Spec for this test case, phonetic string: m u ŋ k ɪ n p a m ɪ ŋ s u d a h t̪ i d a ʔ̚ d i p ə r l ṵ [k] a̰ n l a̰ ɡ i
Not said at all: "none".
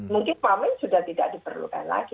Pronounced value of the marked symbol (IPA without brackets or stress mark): k